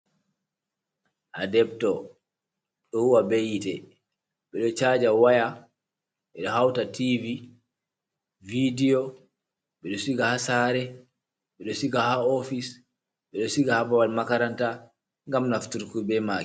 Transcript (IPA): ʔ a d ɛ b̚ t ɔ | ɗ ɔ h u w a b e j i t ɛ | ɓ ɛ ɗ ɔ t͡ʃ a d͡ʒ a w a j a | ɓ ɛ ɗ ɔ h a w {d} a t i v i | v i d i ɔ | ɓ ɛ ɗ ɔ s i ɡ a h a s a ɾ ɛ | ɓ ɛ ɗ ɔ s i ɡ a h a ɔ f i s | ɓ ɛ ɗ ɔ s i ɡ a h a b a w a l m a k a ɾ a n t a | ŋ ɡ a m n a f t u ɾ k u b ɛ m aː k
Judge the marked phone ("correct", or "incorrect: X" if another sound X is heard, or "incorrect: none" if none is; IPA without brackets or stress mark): incorrect: t